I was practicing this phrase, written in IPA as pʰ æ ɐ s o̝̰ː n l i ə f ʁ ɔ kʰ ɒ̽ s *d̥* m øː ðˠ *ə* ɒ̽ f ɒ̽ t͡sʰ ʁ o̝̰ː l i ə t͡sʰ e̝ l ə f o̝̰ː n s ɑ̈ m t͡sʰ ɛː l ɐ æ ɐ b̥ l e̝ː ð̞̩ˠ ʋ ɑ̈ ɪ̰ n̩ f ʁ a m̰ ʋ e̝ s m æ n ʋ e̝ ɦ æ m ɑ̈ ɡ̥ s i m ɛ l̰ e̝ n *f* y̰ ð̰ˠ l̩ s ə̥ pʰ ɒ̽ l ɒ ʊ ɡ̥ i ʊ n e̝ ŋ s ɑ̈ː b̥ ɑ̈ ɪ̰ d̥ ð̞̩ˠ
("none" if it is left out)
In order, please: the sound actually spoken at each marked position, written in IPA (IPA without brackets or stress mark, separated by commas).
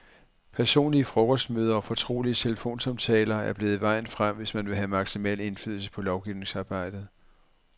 d̥, ɐ, f